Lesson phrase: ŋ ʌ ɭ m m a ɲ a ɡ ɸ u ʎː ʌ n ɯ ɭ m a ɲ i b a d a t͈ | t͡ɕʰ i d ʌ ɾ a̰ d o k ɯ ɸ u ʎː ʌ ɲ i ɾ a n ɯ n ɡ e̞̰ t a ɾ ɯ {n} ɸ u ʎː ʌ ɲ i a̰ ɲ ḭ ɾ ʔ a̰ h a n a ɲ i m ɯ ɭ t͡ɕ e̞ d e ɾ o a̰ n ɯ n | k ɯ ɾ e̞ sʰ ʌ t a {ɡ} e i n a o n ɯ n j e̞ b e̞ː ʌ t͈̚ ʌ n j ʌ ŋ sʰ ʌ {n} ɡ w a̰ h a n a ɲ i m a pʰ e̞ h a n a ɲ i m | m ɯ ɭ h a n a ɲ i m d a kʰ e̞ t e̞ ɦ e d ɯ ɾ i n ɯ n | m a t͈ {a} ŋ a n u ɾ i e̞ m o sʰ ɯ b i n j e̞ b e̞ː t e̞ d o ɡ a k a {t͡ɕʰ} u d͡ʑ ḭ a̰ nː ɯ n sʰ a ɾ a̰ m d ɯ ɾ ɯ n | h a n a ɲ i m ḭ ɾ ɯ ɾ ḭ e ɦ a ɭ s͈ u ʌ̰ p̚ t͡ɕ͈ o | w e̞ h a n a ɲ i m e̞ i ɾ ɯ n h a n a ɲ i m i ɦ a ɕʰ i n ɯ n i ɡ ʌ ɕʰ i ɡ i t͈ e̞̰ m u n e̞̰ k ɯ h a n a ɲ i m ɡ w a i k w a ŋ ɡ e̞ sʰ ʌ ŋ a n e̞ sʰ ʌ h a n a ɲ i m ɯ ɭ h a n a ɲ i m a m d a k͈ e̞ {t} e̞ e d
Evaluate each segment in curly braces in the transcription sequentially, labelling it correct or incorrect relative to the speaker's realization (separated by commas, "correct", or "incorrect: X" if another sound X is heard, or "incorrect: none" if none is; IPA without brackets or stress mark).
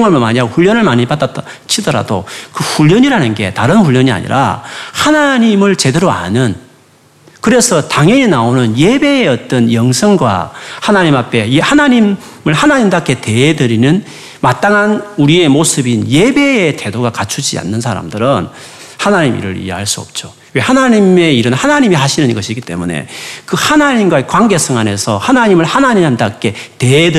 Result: correct, incorrect: ŋ, incorrect: ŋ, correct, correct, correct